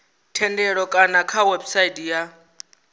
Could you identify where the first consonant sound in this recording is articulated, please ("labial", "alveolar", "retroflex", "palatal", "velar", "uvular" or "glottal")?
alveolar